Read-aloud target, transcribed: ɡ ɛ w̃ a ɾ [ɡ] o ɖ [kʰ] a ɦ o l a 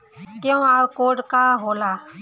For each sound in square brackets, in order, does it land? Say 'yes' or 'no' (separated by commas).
no, no